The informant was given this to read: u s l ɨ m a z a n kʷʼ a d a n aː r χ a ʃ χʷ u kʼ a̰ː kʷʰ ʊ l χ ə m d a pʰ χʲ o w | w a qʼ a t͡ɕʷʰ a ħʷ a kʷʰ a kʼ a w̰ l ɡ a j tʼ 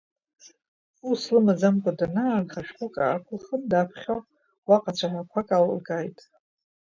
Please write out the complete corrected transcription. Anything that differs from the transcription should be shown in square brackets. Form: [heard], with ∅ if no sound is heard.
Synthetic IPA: u s l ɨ m a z a [m] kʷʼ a d a n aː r χ a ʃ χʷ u kʼ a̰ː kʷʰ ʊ l χ ə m d a pʰ χʲ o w | w a qʼ a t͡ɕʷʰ a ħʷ a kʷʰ a kʼ a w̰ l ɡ a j tʼ